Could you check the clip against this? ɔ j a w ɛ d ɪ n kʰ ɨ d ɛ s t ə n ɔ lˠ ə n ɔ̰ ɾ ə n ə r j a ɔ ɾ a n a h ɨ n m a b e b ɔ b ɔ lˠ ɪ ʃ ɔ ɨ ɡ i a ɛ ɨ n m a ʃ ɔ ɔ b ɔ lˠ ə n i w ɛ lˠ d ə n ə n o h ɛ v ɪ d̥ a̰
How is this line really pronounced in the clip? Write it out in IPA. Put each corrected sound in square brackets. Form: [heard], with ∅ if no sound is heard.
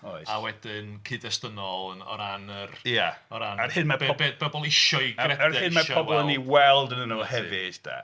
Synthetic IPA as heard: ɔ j a w ɛ d ɪ n kʰ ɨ d ɛ s t ə n ɔ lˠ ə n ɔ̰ ɾ [a] n ə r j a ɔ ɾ a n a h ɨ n m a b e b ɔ b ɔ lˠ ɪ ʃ ɔ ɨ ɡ [ɛ] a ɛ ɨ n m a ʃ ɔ ɔ b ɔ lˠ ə n i w ɛ lˠ d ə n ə n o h ɛ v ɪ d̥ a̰

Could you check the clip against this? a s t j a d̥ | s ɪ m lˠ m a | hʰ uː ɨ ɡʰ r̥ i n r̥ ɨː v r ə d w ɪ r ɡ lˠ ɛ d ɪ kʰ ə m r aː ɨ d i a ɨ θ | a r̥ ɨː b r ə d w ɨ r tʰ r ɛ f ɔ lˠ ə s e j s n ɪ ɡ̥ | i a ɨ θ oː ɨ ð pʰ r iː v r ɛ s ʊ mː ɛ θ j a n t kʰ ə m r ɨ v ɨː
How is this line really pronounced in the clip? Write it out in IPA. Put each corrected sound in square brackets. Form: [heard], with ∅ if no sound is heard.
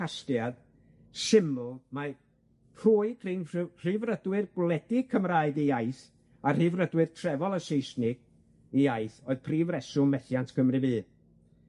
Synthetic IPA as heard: a s t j a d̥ | s ɪ m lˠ m a | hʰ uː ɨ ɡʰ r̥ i n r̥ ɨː v r ə d w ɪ r ɡ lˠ ɛ d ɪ kʰ ə m r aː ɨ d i a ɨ θ | a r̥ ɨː [v] r ə d w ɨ r tʰ r ɛ [v] ɔ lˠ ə s e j s n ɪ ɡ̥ | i a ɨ θ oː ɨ ð pʰ r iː v r ɛ s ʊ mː ɛ θ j a n t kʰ ə m r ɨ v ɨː

